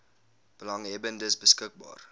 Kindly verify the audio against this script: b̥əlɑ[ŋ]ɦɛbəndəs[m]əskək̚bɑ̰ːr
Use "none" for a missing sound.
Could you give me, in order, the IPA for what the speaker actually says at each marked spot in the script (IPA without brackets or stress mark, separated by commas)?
ŋ, b